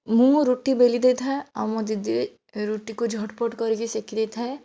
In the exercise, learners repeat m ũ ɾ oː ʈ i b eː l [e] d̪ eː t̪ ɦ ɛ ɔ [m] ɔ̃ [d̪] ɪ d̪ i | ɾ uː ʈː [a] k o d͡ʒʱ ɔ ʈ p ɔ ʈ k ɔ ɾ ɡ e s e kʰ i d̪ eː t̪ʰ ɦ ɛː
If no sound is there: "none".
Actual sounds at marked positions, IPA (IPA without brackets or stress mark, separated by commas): i, m, d̪, i